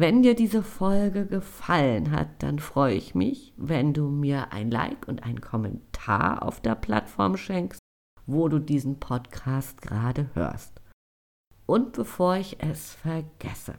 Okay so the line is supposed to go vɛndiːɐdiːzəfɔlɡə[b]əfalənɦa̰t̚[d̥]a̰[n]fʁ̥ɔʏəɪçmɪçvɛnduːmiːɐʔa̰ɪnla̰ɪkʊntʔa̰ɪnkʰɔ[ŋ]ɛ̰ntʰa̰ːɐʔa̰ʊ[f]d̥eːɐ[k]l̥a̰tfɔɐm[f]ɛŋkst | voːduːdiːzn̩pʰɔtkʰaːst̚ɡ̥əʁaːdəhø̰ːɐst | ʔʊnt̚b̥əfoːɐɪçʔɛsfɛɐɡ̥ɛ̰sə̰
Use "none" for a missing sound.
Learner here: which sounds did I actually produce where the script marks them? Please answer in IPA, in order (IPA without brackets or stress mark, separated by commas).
ɡ, d̥, n, m, f, p, ʃ